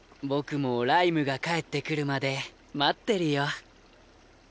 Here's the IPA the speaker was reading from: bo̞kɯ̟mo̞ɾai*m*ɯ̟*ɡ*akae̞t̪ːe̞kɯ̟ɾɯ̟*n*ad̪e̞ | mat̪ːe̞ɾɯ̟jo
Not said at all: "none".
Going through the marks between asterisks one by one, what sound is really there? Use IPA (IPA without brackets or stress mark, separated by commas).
m, ɡ, m